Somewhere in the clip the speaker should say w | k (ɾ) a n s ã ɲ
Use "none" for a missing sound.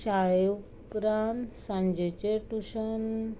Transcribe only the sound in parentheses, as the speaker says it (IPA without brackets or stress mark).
ɾ